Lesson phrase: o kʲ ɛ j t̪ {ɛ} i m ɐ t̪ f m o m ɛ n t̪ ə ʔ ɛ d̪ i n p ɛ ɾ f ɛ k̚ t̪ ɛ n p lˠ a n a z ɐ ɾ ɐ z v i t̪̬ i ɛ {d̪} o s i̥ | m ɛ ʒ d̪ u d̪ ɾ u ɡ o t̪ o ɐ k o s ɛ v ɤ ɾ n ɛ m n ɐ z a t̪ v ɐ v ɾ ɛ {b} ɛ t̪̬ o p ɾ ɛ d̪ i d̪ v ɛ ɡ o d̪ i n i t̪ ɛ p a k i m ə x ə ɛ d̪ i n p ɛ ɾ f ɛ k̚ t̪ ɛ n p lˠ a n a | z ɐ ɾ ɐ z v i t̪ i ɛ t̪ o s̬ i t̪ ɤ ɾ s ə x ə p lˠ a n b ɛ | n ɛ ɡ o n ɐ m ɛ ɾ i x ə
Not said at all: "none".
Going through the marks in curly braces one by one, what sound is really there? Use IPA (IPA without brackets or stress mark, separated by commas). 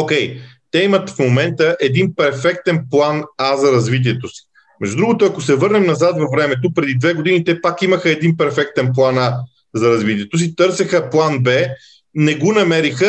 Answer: ɛ, t̪, m